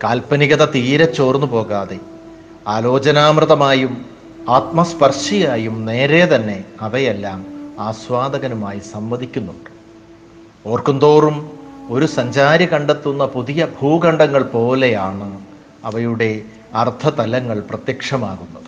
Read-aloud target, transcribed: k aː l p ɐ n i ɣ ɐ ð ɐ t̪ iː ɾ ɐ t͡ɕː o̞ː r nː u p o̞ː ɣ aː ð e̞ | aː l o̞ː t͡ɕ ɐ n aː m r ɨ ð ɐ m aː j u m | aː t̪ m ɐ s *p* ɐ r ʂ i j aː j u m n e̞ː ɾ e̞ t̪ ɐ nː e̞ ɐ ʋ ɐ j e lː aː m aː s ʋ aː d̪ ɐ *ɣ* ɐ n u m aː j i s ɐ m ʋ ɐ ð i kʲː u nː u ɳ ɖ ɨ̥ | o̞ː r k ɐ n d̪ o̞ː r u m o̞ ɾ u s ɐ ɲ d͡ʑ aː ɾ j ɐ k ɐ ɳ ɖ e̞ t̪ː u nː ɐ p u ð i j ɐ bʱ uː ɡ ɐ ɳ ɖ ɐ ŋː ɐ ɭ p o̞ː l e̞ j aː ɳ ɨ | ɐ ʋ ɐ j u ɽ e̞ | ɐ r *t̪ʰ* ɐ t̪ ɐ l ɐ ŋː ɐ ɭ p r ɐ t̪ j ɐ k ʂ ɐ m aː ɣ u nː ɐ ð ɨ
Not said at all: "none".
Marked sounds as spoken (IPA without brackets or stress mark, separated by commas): p, ɣ, t̪ʰ